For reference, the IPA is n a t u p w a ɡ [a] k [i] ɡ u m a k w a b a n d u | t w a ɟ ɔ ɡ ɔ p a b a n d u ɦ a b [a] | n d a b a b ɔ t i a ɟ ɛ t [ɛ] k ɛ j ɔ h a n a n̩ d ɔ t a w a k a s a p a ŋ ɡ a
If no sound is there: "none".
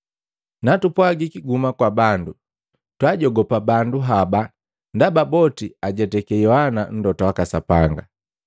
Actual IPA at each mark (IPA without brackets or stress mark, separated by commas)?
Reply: i, i, a, ɛ